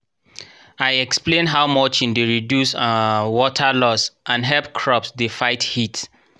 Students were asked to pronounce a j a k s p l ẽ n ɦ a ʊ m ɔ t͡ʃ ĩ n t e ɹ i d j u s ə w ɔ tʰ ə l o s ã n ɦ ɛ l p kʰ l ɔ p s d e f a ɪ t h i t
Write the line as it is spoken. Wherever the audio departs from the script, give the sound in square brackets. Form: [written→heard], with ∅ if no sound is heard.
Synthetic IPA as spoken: a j [a→ɛ] k s p l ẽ n ɦ a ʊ m ɔ t͡ʃ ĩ n [t→d] e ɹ i d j u s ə w ɔ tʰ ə l [o→ɔ] s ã n ɦ ɛ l p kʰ [l→ɹ] ɔ p s d e f a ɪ t h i t